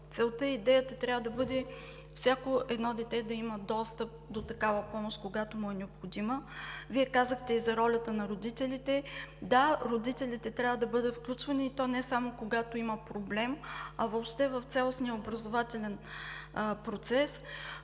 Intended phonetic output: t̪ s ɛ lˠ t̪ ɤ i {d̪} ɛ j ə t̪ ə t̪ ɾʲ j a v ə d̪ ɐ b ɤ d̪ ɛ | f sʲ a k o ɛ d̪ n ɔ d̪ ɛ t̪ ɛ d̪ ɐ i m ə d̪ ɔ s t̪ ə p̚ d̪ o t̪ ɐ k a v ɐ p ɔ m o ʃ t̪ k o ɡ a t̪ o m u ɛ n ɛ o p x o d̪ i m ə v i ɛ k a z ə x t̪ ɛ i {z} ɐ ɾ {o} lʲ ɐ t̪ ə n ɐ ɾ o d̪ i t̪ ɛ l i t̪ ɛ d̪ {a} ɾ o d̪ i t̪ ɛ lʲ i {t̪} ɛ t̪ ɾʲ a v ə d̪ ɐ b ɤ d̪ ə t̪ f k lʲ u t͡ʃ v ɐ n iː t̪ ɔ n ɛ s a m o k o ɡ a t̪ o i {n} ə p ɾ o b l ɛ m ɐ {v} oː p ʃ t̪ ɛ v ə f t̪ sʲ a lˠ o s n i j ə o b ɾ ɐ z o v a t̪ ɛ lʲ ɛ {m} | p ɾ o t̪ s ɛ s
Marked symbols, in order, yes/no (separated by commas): yes, yes, no, yes, yes, no, yes, no